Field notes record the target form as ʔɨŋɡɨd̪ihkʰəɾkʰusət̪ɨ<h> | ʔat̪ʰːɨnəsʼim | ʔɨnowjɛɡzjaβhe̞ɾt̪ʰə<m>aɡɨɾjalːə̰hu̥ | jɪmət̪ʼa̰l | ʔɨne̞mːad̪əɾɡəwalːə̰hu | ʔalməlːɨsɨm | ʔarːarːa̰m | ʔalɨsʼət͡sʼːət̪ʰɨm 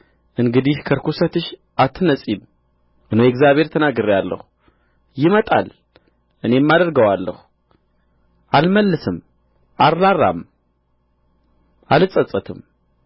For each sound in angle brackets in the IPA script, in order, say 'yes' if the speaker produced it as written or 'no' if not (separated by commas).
no, no